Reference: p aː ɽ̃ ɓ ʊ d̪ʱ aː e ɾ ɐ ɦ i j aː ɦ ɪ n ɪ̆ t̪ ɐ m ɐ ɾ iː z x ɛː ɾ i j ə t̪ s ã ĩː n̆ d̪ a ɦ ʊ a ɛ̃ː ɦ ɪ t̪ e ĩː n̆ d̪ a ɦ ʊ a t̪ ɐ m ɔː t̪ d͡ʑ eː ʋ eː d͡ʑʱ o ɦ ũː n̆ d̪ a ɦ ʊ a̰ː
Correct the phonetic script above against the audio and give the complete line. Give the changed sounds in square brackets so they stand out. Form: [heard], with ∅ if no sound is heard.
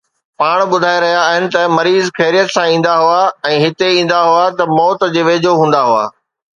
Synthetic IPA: p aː ɽ̃ ɓ ʊ d̪ʱ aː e ɾ ɐ ɦ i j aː ɦ ɪ n ɪ̆ t̪ ɐ m ɐ ɾ iː z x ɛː ɾ i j ə t̪ s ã ĩː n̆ d̪ a ɦ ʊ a ɛ̃ː ɦ ɪ t̪ e ĩː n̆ d̪ a ɦ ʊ a t̪ ɐ m ɔː t̪ d͡ʑ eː ʋ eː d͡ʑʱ o ɦ ũː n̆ d̪ a ɦ ʊ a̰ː

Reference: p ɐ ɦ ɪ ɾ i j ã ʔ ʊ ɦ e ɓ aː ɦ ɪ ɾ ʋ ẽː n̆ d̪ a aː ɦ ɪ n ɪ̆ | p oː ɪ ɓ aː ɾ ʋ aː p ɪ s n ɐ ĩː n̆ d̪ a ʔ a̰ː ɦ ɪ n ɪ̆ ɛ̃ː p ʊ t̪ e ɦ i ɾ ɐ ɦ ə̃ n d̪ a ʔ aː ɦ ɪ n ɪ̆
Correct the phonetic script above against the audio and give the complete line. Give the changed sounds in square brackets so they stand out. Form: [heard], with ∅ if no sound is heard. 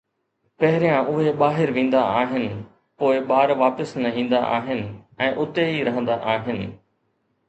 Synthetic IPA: p ɐ ɦ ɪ ɾ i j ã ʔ ʊ ɦ e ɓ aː ɦ ɪ ɾ ʋ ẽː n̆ d̪ a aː ɦ ɪ n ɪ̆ | p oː ɪ ɓ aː ɾ ʋ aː p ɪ s n ɐ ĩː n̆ d̪ a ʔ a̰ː ɦ ɪ n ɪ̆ ɛ̃ː [ʔ] ʊ t̪ e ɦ i ɾ ɐ ɦ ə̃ n d̪ a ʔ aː ɦ ɪ n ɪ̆

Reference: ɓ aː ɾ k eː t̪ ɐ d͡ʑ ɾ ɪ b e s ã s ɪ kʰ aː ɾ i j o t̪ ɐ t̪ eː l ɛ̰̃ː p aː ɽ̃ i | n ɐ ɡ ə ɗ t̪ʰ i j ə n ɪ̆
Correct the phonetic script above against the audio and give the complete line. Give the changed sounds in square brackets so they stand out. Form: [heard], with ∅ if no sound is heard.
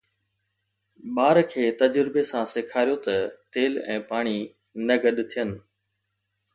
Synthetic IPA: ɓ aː ɾ [kʰ] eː t̪ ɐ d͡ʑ ɾ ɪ b e s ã s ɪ kʰ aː ɾ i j o t̪ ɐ t̪ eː l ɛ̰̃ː p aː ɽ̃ i | n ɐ ɡ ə ɗ t̪ʰ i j ə n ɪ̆

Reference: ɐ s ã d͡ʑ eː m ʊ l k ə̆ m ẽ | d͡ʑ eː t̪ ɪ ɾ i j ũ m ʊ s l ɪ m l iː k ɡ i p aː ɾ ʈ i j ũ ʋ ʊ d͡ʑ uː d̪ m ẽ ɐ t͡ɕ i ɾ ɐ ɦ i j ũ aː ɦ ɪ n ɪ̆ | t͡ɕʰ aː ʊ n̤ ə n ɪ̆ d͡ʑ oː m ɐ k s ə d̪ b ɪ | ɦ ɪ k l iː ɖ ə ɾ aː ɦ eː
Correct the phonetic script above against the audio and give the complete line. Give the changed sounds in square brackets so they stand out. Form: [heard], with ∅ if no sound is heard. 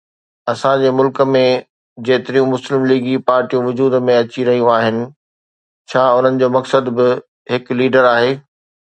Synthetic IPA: ɐ s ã d͡ʑ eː m ʊ l k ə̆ m ẽ | d͡ʑ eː t̪ ɪ ɾ i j ũ m ʊ s l ɪ m l iː [∅] ɡ i p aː ɾ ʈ i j ũ ʋ ʊ d͡ʑ uː d̪ m ẽ ɐ t͡ɕ i ɾ ɐ ɦ i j ũ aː ɦ ɪ n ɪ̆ | t͡ɕʰ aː ʊ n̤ ə n ɪ̆ d͡ʑ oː m ɐ k s ə d̪ b ɪ | ɦ ɪ k l iː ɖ ə ɾ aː ɦ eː

